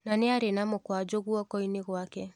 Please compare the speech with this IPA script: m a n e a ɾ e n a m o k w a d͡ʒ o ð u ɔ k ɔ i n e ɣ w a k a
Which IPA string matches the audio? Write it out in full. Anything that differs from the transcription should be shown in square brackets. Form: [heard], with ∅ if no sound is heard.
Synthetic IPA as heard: [n] a n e a ɾ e n a m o k w a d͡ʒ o [ɣ] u ɔ k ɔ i n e ɣ w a k [ɛ]

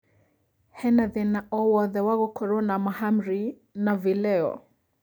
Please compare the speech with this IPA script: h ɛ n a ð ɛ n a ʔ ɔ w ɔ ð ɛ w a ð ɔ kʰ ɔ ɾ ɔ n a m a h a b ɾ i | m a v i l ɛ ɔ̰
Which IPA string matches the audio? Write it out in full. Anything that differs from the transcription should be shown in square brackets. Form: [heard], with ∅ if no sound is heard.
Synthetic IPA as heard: h ɛ n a ð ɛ n a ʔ ɔ w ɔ ð ɛ w a [ɣ] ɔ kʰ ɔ ɾ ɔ n a m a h a [m] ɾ i | [n] a v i l ɛ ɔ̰

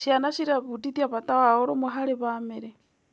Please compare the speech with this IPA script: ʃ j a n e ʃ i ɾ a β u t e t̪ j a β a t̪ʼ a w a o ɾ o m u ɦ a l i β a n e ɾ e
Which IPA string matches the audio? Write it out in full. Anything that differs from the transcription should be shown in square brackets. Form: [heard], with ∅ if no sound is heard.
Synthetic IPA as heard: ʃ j a n [a] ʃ i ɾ a β u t [i] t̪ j a β a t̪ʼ a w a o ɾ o m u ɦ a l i β a [m] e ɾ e

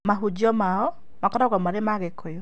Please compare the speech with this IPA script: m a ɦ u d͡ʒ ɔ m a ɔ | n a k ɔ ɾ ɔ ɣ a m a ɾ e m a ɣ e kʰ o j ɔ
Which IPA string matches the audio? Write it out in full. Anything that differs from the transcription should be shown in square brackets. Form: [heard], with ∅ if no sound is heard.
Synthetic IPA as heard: m a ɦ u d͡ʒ ɔ m a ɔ | [m] a k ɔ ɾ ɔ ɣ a m a ɾ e m a ɣ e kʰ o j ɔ

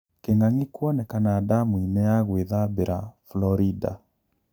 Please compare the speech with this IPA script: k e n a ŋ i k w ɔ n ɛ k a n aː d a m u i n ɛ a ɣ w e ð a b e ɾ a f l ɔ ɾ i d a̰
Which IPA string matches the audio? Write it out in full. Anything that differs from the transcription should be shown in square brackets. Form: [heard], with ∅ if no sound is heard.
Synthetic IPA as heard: k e [ŋ] a ŋ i k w ɔ n ɛ k a n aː d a m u i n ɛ a ɣ w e ð a b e ɾ a f l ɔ ɾ i d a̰

